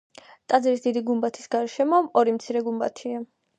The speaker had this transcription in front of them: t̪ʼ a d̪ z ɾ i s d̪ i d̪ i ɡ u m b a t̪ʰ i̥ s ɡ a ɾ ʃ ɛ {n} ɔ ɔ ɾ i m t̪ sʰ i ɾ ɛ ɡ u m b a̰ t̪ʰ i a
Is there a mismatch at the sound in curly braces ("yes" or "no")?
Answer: yes